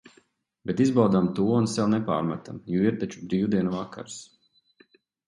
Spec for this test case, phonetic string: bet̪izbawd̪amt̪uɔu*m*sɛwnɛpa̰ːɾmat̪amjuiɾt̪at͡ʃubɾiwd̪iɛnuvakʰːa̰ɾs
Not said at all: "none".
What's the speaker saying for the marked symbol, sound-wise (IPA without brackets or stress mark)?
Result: n